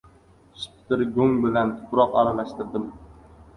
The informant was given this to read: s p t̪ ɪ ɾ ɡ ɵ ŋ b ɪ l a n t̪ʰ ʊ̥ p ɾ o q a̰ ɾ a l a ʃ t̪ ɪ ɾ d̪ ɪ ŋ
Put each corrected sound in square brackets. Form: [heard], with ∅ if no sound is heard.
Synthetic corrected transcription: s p t̪ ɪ ɾ ɡ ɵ ŋ b ɪ l a n t̪ʰ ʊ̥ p ɾ [ɒ] q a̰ ɾ a l a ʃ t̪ ɪ ɾ d̪ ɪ [m]